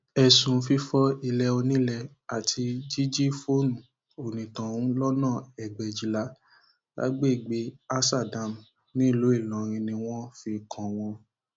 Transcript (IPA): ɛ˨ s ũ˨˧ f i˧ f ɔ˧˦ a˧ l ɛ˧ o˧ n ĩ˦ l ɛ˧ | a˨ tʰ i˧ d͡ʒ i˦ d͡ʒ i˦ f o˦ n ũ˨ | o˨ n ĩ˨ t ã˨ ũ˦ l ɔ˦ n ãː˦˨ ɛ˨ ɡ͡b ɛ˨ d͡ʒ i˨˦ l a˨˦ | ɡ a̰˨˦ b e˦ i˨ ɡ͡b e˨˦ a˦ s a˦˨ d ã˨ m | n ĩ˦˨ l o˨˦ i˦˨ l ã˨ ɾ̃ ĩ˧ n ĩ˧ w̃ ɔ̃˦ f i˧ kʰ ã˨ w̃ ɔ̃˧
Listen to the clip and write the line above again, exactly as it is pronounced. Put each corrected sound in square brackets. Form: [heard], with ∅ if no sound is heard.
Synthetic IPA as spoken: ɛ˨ s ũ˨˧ f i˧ f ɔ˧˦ [i˧] l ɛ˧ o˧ n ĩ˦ l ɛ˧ | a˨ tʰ i˧ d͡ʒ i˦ d͡ʒ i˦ f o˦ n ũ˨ | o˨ n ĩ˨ t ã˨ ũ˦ l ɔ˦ n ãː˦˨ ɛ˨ ɡ͡b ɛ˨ d͡ʒ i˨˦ l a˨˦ | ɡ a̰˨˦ [ɡ͡b] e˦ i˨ ɡ͡b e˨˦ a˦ s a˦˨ d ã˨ m | n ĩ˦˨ l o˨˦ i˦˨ l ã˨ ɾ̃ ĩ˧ n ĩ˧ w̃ ɔ̃˦ f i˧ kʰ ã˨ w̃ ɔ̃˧

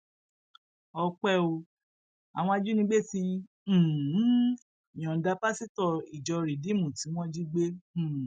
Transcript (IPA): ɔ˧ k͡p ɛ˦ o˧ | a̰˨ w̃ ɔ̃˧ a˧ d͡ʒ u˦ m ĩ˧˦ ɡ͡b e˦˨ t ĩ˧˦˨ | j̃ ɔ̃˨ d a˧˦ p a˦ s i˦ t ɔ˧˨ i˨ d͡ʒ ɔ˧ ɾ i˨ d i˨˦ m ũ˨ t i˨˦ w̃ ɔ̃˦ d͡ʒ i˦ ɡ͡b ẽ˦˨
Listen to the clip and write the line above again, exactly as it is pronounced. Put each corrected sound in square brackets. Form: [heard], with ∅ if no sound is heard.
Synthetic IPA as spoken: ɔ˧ k͡p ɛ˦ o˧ | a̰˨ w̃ ɔ̃˧ a˧ d͡ʒ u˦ [n] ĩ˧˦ ɡ͡b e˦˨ t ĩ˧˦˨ | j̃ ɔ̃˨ d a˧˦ p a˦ s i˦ t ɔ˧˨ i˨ d͡ʒ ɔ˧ ɾ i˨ d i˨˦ m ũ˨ t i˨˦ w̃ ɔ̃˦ d͡ʒ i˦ ɡ͡b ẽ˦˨

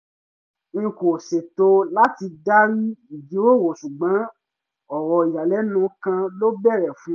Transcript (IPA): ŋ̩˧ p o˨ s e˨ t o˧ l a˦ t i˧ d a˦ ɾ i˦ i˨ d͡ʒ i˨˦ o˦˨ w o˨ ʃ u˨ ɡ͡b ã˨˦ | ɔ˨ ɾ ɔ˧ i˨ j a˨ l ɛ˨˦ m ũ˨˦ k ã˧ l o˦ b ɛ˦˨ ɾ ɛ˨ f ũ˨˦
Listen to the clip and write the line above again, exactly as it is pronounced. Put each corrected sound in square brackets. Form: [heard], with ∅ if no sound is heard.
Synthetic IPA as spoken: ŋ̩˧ [k] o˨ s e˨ t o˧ l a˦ t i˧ d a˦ ɾ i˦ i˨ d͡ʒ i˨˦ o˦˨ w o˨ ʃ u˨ ɡ͡b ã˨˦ | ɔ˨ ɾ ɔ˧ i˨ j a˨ l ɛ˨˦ [n] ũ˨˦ k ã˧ l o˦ b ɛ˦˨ ɾ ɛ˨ f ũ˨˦

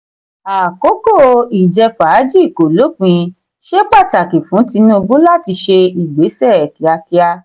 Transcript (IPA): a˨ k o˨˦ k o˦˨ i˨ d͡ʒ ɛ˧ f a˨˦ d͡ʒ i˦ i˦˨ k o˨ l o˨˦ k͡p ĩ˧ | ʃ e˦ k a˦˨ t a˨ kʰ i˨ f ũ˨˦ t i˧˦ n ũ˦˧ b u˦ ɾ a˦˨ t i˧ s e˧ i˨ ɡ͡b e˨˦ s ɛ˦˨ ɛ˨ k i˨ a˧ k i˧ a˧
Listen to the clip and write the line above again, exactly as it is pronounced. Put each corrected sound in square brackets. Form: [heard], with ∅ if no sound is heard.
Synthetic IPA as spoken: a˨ k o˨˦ k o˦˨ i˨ d͡ʒ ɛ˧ f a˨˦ d͡ʒ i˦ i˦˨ k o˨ l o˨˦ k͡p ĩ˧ | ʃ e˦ [k͡p] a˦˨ t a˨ [k] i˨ f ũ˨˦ t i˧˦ n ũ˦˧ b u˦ [l] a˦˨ t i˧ [ʃ] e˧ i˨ ɡ͡b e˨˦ s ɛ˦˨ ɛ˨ k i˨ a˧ k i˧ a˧

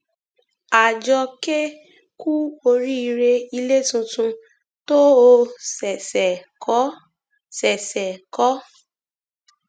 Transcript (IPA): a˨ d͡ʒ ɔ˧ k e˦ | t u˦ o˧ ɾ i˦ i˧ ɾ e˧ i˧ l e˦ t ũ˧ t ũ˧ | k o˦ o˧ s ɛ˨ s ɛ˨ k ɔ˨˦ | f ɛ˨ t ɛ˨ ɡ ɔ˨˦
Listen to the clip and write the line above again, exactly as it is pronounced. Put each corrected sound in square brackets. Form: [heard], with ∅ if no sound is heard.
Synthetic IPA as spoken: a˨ d͡ʒ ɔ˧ k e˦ | [k] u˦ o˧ ɾ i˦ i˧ ɾ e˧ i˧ l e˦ t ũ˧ t ũ˧ | [t] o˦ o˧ s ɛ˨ s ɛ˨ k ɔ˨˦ | [s] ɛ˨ [s] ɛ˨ [k] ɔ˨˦

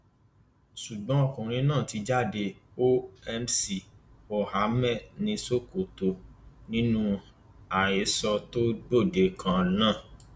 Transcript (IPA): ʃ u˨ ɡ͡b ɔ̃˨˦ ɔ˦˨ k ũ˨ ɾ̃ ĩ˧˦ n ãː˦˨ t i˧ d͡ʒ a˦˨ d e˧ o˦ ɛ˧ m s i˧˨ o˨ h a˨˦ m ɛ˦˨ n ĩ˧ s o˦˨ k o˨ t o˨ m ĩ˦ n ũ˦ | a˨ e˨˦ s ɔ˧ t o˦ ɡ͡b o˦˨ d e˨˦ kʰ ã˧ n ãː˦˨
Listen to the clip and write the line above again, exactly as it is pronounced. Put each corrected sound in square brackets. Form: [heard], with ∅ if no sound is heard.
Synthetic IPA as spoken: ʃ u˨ ɡ͡b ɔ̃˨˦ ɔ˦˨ k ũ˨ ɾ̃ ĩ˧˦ n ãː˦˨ t i˧ d͡ʒ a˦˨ d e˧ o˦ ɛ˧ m s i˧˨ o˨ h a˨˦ m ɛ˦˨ n ĩ˧ s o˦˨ k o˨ t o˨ [n] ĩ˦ n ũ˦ | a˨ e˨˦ s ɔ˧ t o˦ ɡ͡b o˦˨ d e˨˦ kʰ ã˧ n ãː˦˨

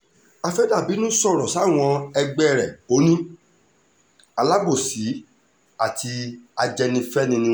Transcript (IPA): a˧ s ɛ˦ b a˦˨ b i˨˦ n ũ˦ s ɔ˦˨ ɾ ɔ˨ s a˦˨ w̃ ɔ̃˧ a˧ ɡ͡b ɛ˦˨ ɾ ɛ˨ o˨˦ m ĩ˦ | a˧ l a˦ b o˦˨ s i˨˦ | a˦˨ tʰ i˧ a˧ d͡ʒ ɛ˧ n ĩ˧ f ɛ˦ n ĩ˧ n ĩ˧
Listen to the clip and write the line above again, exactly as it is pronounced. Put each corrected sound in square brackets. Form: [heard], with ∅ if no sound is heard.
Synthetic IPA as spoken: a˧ [f] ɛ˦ [d] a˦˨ b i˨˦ n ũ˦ s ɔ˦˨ ɾ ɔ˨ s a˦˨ w̃ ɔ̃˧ [ɛ˧] ɡ͡b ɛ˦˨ ɾ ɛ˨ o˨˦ [n] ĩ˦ | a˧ l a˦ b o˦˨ s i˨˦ | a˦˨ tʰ i˧ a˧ d͡ʒ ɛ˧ n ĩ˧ f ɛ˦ n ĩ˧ n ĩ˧

